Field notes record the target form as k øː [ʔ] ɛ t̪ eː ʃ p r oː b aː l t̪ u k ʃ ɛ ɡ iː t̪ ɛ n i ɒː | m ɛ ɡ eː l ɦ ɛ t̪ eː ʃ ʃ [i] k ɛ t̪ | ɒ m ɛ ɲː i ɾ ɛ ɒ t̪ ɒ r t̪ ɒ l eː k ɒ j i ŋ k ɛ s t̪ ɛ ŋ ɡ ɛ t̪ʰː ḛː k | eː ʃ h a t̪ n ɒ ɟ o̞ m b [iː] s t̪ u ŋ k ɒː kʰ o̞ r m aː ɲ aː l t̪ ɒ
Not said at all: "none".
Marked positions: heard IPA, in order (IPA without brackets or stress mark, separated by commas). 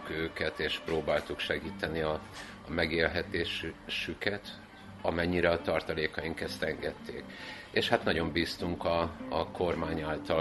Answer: k, y, iː